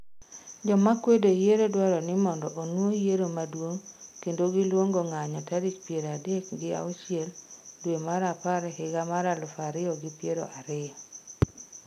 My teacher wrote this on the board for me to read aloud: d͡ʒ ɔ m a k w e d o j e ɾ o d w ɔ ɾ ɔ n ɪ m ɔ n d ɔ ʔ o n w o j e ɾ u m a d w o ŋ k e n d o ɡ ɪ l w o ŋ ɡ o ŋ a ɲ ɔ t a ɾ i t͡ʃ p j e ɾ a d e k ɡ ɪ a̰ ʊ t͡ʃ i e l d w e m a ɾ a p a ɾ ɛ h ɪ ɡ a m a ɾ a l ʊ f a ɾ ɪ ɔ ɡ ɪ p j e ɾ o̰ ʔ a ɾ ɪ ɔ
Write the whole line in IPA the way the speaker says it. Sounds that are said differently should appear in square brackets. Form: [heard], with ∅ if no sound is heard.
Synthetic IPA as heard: d͡ʒ ɔ m a k w e d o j e ɾ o d w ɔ ɾ ɔ n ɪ m ɔ n d ɔ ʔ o n w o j e ɾ [o] m a d w o ŋ k e n d o ɡ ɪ l w o ŋ ɡ o ŋ a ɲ ɔ t a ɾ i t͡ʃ p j e ɾ a d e k ɡ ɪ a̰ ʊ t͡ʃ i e l d w e m a ɾ a p a ɾ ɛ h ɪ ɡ a m a ɾ a l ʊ f a ɾ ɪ ɔ ɡ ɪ p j e ɾ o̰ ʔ a ɾ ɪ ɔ